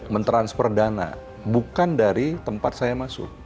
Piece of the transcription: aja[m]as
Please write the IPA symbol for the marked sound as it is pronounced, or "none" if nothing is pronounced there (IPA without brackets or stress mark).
m